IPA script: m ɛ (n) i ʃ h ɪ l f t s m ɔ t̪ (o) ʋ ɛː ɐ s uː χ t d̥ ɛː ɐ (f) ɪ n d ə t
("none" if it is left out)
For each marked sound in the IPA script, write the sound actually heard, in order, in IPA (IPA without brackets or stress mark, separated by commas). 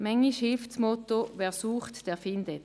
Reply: ŋ, o, f